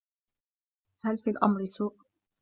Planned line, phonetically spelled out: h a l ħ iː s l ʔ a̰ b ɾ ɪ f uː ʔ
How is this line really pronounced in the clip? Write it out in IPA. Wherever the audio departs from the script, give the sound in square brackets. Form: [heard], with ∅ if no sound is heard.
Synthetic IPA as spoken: h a l [f] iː [∅] l ʔ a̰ [m] ɾ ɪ [s] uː ʔ

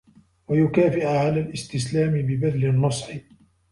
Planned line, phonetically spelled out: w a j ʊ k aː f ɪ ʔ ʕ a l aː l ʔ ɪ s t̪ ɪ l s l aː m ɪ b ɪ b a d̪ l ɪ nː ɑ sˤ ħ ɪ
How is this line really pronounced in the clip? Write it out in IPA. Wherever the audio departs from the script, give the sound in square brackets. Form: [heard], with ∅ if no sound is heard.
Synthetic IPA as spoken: w a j ʊ k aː f ɪ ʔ ʕ a l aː l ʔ ɪ s t̪ ɪ [∅] s l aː m ɪ b ɪ b a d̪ l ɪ nː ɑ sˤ ħ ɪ

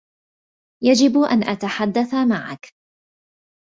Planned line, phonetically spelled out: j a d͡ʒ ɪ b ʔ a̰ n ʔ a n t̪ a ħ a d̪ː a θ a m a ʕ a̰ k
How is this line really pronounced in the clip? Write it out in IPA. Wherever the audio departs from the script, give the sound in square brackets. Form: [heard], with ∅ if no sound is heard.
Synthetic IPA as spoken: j a d͡ʒ ɪ b ʔ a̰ n ʔ a [∅] t̪ a ħ a d̪ː a θ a m a ʕ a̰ k

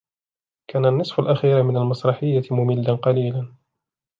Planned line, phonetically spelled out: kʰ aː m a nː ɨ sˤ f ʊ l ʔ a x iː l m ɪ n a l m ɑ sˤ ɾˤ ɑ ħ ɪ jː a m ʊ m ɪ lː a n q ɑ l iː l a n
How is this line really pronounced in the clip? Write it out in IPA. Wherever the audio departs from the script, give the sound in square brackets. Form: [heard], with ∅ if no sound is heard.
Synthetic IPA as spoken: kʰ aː [n] a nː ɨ sˤ f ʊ l ʔ a x iː [ɾ] m ɪ n a l m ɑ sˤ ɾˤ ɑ ħ ɪ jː a m ʊ m ɪ lː a n q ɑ l iː l a n

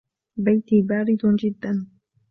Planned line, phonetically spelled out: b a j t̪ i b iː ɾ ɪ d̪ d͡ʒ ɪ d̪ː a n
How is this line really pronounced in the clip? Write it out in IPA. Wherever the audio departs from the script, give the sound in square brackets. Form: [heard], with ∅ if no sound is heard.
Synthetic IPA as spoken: b a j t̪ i b [aː] ɾ ɪ d̪ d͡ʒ ɪ d̪ː a n

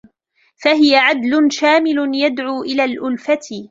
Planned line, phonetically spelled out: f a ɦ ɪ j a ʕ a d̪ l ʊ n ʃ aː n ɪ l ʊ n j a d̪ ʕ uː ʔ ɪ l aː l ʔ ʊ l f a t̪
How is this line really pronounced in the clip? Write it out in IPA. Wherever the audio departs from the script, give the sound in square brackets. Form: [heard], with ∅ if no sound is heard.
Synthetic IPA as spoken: f a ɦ ɪ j a ʕ a d̪ l ʊ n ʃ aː [m] ɪ l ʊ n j a d̪ ʕ uː ʔ ɪ l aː l ʔ ʊ l f a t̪

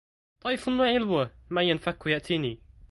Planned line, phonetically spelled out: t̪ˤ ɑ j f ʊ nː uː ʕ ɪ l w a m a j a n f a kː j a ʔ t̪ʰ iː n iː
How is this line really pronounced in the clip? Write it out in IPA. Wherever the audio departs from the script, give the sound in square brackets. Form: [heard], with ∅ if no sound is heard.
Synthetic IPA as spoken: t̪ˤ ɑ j f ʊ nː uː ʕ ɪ l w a m a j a n f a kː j a ʔ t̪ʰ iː n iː

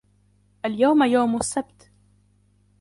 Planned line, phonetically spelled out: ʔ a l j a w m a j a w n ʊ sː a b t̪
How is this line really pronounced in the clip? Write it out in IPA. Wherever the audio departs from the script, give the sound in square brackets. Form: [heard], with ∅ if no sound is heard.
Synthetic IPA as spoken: ʔ a l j a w m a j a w [m] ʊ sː a b t̪

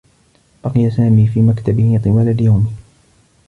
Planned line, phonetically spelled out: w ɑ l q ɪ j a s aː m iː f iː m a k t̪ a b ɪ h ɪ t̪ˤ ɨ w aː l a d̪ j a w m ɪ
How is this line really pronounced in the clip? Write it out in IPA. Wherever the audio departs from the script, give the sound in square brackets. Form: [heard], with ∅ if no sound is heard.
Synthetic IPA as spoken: [b] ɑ [∅] q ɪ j a s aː m iː f iː m a k t̪ a b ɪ h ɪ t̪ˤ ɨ w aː l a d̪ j a w m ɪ

